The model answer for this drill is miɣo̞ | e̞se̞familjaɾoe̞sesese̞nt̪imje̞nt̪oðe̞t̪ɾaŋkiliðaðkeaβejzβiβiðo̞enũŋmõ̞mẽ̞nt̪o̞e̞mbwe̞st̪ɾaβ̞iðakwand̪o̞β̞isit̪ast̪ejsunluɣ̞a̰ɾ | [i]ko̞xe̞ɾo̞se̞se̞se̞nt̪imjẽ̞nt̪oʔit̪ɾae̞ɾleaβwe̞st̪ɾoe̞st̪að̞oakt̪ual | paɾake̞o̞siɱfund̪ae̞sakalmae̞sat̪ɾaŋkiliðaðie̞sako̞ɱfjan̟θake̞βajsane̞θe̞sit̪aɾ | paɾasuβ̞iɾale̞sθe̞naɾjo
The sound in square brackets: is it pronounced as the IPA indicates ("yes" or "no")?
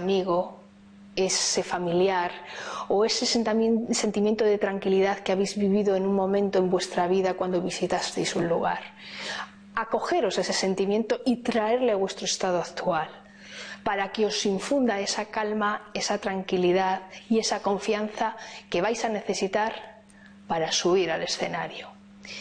no